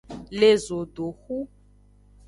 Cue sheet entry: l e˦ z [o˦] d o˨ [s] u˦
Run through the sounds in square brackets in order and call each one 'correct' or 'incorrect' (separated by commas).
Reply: incorrect, incorrect